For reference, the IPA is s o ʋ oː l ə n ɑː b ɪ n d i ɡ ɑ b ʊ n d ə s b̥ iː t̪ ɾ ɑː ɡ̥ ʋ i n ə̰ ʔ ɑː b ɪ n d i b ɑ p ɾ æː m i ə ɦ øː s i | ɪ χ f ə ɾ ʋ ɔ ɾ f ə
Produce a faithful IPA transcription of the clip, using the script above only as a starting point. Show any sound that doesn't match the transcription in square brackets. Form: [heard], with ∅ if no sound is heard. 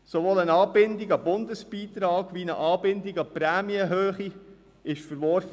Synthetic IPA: s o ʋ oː l ə n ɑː b ɪ n d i ɡ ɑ b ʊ n d ə s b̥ iː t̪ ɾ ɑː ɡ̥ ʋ i n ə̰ ʔ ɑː b ɪ n d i [ɡ] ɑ p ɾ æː m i ə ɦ øː [χ] i | ɪ [ʃ] f ə ɾ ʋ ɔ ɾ f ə